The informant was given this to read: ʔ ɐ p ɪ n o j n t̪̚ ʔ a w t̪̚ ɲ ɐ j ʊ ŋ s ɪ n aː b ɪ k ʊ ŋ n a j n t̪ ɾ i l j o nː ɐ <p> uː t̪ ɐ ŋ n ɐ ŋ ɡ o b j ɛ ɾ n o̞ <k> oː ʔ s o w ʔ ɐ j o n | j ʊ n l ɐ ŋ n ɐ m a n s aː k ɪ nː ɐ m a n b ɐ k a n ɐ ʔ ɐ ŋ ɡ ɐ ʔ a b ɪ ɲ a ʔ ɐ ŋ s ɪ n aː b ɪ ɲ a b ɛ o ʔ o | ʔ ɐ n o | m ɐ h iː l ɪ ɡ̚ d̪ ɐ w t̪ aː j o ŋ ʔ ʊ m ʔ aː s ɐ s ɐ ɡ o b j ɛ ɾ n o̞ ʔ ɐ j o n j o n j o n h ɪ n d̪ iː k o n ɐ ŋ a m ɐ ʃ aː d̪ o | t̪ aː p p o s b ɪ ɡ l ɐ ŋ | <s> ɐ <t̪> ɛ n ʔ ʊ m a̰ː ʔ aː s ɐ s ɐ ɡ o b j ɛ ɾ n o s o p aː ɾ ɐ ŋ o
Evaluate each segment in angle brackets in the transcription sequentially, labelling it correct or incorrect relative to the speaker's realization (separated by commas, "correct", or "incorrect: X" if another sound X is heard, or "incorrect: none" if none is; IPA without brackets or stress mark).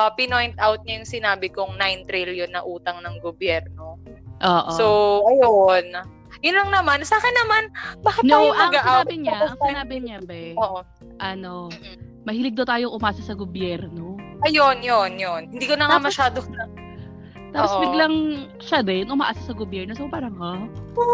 incorrect: ʔ, incorrect: ʔ, incorrect: ʃ, incorrect: d̪